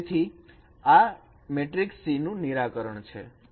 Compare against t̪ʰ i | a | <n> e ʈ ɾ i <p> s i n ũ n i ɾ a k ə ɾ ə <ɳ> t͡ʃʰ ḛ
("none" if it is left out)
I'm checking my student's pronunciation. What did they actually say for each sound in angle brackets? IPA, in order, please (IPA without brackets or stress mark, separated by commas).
m, k, ɳ